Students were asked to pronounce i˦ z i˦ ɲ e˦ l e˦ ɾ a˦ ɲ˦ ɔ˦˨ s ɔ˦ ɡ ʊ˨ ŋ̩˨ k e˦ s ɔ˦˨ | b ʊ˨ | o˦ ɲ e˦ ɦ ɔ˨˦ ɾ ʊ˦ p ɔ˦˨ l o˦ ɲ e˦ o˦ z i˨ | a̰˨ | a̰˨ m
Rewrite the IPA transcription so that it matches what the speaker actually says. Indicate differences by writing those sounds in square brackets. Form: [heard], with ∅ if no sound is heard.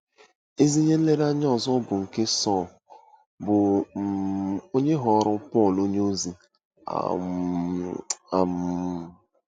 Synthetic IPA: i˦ z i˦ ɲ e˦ l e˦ ɾ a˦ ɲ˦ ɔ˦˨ [z] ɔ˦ [b] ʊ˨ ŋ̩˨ k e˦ s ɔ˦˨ | b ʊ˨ | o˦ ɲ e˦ ɦ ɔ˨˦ ɾ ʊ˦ p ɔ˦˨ l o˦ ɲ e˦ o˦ z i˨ | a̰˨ | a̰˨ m